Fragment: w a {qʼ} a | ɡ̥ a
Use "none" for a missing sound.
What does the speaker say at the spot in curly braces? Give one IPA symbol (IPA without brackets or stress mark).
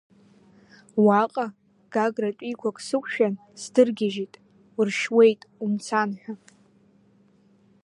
qʼ